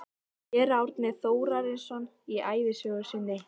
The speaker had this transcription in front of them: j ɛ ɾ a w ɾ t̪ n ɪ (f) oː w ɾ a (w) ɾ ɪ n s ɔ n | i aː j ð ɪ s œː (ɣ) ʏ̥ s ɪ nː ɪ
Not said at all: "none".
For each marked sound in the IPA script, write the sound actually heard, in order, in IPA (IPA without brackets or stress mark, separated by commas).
θ, none, ɣ